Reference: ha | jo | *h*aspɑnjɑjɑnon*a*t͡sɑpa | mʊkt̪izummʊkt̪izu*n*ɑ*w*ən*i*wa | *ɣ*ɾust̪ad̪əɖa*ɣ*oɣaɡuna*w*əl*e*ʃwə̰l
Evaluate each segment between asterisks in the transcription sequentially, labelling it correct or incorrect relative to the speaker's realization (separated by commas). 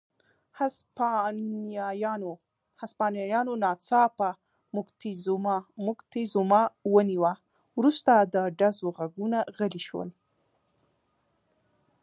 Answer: correct, incorrect, incorrect, correct, correct, incorrect, incorrect, incorrect, incorrect